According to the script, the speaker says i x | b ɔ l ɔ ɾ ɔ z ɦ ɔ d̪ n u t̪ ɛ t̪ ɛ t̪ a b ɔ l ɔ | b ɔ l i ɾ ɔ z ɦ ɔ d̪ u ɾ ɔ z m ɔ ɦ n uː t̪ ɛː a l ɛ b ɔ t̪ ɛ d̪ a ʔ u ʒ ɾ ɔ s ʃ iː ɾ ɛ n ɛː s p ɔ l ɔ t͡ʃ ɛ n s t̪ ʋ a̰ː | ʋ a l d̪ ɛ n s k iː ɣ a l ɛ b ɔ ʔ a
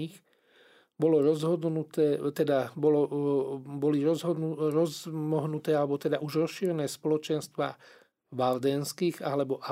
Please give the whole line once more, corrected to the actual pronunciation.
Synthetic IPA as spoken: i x | b ɔ l ɔ ɾ ɔ z ɦ ɔ d̪ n u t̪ ɛ t̪ ɛ d̪ a b ɔ l ɔ | b ɔ l i ɾ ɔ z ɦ ɔ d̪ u ɾ ɔ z m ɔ ɦ n u t̪ ɛː a l ɛ b ɔ t̪ ɛ d̪ a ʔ u ʒ ɾ ɔ s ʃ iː ɾ ɛ n ɛː s p ɔ l ɔ t͡ʃ ɛ n s t̪ ʋ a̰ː | ʋ a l d̪ ɛ n s k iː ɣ a l ɛ b ɔ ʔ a